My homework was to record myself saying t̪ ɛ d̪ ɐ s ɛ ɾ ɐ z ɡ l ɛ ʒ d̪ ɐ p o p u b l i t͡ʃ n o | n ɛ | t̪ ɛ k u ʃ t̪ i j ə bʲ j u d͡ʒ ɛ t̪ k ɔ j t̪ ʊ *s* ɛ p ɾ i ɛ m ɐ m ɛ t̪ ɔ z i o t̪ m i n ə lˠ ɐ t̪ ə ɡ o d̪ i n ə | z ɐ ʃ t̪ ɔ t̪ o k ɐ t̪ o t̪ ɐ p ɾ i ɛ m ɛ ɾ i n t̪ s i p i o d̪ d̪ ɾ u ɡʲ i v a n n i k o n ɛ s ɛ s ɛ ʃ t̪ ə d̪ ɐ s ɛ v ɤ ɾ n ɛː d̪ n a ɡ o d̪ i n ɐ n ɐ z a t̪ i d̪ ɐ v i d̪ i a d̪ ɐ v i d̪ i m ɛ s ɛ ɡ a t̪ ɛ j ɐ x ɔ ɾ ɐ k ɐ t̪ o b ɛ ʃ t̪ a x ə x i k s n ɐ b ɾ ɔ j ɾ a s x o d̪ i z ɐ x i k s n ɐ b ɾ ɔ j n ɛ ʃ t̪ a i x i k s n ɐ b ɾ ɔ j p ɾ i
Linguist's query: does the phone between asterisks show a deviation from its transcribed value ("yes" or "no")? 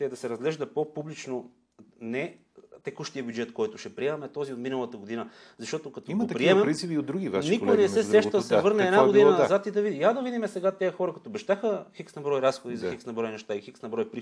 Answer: yes